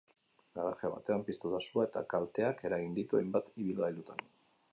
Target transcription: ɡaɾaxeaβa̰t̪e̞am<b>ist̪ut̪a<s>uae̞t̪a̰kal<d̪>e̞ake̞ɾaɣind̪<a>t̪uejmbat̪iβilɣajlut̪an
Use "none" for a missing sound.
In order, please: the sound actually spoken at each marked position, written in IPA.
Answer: p, s, t̪, i

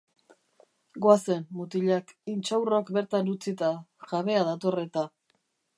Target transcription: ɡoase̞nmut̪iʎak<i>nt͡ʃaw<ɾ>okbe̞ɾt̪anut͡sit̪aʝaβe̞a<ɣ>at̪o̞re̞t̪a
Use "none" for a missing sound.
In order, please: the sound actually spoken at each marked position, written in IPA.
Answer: i, r, ð

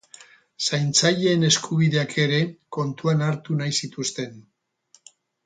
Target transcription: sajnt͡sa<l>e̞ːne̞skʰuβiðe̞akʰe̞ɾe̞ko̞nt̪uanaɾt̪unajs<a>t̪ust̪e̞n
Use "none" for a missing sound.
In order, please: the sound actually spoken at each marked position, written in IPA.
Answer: ʎ, i

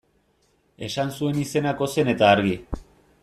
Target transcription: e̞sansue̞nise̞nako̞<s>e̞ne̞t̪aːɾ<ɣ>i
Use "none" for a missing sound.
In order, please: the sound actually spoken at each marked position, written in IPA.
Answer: s, ɣ

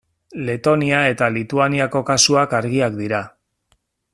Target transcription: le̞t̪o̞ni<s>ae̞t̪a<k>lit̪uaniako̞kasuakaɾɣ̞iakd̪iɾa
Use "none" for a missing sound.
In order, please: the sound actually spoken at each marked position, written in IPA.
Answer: none, none

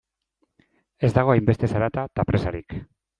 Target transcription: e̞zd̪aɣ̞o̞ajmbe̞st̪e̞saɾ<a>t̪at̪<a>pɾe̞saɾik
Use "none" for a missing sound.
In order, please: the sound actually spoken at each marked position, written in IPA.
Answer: a, a

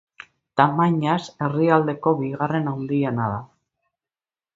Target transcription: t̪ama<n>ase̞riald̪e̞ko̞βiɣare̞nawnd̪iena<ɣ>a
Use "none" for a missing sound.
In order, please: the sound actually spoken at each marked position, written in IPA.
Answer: ɲ, ð

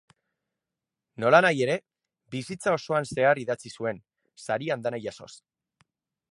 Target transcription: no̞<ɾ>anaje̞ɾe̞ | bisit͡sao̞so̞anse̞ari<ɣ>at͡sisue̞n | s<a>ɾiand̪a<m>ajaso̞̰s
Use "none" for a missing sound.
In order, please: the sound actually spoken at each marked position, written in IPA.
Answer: l, ð, a, n

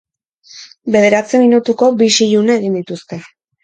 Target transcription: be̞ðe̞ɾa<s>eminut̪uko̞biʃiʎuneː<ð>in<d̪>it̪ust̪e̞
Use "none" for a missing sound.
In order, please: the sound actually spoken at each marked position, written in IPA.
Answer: t͡s, ɣ, d̪

